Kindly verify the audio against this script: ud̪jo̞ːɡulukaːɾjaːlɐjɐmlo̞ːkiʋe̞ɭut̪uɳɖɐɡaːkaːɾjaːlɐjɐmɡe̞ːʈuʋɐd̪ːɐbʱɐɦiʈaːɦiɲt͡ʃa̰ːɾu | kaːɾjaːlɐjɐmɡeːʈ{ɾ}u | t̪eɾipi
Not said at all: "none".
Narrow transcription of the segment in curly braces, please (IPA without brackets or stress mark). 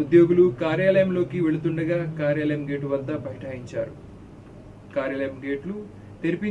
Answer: l